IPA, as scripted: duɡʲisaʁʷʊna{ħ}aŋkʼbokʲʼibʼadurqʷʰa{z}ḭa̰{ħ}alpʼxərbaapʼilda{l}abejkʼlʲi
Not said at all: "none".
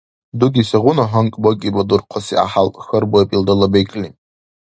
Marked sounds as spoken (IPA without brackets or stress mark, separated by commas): ħ, s, ħ, l